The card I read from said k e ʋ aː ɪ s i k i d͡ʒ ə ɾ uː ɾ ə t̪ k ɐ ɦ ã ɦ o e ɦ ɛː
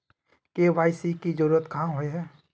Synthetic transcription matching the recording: k e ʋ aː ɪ s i k i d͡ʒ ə ɾ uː ɾ ə t̪ k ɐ ɦ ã ɦ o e ɦ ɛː